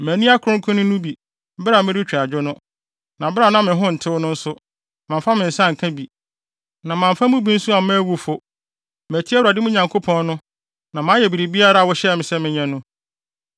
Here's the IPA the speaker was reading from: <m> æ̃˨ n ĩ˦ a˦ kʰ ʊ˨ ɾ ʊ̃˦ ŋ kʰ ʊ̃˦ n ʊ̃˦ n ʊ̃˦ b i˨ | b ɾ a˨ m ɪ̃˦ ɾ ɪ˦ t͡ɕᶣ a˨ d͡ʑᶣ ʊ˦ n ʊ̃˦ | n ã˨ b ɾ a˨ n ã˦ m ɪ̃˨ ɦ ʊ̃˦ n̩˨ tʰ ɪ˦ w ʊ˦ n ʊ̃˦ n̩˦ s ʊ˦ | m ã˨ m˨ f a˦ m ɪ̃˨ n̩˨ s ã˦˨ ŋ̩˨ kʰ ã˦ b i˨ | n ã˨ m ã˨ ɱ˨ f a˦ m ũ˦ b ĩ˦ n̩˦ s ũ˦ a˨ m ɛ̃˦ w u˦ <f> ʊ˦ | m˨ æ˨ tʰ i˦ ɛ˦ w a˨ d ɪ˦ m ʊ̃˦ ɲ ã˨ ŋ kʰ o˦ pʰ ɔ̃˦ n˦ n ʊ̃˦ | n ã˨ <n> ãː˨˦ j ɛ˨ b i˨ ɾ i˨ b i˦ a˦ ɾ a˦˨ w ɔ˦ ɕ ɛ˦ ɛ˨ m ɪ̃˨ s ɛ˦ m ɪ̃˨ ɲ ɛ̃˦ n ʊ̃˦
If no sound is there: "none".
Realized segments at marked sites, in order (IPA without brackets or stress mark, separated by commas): m, f, m